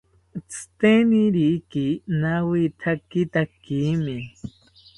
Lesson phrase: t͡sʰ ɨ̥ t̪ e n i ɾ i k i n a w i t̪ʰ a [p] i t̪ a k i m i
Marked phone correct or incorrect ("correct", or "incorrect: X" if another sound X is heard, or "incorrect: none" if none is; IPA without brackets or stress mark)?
incorrect: k